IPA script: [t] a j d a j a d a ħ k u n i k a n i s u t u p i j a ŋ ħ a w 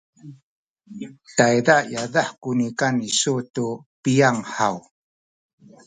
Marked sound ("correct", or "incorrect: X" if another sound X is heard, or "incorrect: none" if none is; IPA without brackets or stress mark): correct